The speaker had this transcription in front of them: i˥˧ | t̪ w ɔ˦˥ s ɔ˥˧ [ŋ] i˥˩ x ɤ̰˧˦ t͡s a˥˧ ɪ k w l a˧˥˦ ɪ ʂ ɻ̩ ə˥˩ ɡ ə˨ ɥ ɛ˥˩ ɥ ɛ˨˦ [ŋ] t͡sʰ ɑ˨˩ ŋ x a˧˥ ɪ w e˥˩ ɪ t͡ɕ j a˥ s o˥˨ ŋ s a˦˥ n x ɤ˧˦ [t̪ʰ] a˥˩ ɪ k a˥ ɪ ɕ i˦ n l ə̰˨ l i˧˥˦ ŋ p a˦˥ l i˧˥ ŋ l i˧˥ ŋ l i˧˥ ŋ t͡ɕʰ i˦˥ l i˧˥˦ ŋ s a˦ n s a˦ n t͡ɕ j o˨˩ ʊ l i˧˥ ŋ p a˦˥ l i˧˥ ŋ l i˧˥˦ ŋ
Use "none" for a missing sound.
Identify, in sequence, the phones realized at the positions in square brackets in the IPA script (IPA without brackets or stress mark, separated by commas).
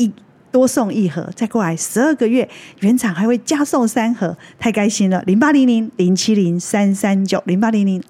ŋ, n, t̪ʰ